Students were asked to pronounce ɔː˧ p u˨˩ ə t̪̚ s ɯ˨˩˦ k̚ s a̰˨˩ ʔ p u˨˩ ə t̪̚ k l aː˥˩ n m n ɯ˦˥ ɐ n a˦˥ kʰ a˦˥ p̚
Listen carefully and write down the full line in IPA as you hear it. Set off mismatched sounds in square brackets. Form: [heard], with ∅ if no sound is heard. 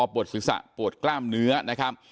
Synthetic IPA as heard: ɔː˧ p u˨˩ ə t̪̚ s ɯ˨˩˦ k̚ s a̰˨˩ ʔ p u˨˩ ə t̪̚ k l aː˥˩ [∅] m n ɯ˦˥ ɐ n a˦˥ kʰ a˦˥ p̚